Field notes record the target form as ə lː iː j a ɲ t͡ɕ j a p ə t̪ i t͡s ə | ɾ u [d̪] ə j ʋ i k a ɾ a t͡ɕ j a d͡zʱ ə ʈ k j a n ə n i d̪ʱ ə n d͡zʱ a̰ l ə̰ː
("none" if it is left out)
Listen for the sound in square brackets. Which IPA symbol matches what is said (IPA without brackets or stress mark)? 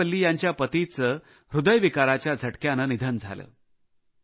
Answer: d̪